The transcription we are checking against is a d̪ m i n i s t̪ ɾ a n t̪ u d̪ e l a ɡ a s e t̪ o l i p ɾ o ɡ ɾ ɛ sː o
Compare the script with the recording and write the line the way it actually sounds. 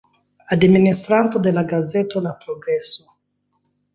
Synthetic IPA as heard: a d̪ m i n i s t̪ ɾ a n t̪ o d̪ e l a ɡ a z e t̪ o l a p ɾ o ɡ ɾ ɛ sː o